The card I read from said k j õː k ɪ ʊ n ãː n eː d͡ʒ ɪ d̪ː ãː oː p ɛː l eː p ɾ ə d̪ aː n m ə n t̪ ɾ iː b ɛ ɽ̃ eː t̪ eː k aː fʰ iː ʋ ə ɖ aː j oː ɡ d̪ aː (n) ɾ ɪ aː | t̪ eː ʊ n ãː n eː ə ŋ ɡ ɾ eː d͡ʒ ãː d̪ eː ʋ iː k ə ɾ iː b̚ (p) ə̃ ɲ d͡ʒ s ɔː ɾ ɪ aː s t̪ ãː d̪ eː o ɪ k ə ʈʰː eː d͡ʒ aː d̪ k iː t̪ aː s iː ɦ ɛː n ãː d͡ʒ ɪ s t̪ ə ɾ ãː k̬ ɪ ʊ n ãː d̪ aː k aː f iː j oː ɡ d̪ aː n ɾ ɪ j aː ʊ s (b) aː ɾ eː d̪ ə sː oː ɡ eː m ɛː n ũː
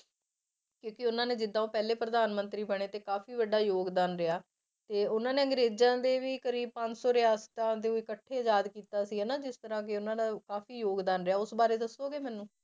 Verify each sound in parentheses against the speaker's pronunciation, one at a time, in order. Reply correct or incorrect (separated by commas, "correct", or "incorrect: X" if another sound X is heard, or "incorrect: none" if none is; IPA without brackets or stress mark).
correct, correct, correct